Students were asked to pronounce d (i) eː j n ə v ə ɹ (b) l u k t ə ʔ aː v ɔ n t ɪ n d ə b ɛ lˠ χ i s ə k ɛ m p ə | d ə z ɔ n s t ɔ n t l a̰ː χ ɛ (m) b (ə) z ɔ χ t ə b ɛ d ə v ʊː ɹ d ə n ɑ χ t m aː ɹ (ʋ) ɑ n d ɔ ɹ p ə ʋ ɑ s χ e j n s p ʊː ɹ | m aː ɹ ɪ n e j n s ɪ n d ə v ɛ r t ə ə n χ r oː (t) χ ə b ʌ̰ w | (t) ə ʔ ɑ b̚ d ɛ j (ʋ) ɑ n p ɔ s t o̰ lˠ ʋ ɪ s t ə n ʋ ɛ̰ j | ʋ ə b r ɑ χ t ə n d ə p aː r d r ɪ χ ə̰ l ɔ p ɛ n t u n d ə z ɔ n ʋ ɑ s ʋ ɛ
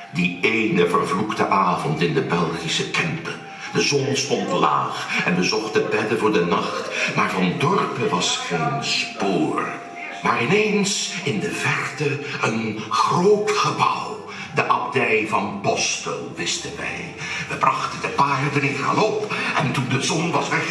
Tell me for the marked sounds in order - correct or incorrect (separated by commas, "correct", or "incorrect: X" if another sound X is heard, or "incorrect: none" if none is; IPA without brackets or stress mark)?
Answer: correct, incorrect: v, incorrect: n, correct, incorrect: v, correct, incorrect: d, incorrect: v